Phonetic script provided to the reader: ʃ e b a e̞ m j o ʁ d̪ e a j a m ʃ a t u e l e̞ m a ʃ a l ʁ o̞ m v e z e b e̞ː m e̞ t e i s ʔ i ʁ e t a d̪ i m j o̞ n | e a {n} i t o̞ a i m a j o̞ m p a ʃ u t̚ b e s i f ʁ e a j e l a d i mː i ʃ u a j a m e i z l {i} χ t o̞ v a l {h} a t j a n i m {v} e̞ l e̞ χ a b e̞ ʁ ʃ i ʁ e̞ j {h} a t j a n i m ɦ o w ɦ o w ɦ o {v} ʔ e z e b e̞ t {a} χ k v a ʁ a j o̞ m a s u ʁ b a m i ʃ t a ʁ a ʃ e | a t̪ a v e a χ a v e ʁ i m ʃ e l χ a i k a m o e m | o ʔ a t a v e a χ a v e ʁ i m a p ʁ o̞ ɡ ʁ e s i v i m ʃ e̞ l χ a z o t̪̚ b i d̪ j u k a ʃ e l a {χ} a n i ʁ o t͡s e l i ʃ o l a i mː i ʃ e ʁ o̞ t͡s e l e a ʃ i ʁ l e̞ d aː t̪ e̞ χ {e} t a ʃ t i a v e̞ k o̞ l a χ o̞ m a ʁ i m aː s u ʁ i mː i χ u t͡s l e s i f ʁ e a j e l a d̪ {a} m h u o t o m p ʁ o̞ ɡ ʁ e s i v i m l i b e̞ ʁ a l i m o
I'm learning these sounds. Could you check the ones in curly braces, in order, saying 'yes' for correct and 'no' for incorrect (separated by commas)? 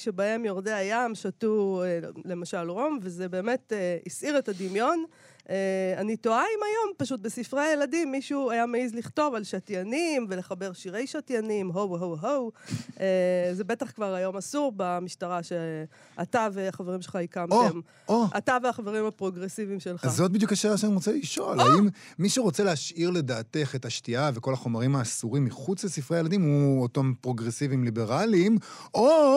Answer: yes, yes, no, yes, no, no, yes, no, yes, no